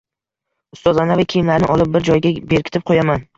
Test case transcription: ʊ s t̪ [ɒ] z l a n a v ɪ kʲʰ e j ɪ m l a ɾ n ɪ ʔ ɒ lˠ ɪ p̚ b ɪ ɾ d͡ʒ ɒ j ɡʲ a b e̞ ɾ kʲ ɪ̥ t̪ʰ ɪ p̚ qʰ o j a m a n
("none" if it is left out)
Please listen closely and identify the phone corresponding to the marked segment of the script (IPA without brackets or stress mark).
ɒ